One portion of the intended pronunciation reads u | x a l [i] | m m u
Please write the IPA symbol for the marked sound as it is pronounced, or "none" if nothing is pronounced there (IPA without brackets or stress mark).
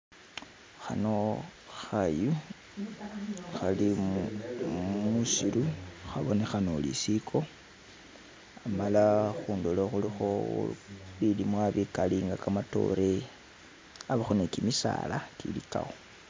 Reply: i